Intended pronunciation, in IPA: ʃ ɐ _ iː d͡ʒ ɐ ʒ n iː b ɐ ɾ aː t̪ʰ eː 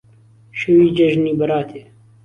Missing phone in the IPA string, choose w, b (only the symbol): w